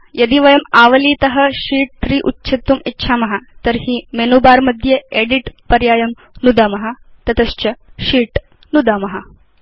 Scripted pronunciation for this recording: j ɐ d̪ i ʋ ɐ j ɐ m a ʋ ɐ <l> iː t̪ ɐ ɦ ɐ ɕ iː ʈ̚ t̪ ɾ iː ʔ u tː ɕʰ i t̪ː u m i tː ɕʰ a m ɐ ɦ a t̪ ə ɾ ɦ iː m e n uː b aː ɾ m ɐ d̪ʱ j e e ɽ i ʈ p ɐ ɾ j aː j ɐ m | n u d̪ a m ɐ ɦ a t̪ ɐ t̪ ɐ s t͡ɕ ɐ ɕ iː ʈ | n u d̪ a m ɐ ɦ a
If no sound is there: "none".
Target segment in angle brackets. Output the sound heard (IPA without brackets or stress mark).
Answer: l